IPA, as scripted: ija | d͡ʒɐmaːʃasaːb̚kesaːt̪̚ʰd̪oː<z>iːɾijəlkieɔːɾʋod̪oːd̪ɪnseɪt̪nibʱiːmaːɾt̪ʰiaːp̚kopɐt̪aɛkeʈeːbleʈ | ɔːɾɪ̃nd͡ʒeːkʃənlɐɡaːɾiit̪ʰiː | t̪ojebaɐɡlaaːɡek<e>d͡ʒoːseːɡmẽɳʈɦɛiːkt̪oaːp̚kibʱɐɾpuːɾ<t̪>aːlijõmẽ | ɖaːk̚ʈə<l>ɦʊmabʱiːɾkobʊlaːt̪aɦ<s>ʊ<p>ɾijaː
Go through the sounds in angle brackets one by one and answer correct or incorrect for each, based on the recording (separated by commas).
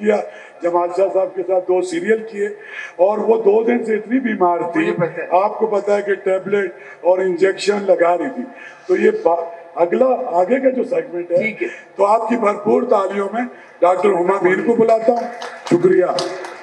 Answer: incorrect, incorrect, correct, incorrect, incorrect, incorrect